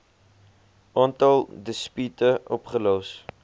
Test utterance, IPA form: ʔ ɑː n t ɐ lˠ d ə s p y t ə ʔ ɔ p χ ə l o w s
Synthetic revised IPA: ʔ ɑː n t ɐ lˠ d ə s p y t ə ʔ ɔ p χ ə l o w s